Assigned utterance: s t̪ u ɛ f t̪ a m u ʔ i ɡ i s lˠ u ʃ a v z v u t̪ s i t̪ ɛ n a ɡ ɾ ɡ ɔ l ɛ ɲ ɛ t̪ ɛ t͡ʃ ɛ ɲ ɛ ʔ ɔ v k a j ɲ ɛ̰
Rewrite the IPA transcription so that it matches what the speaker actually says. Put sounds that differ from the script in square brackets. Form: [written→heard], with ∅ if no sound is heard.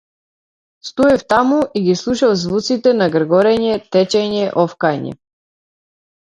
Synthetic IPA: s t̪ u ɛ f t̪ a m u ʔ i ɡ i s lˠ u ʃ a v z v u t̪ s i t̪ ɛ n a ɡ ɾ ɡ ɔ [l→ɾ] ɛ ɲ ɛ t̪ ɛ t͡ʃ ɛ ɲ ɛ ʔ ɔ [v→f] k a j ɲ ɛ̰